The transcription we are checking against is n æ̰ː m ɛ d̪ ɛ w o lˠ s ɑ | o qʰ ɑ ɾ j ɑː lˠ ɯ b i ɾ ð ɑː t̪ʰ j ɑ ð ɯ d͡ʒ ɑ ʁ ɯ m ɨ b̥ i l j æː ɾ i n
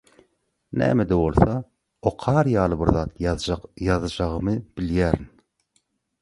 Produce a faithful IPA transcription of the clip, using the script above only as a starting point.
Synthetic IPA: n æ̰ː m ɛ d̪ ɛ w o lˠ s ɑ | o qʰ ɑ ɾ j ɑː lˠ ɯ b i ɾ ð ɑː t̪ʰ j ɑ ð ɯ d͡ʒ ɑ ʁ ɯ m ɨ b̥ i l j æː ɾ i n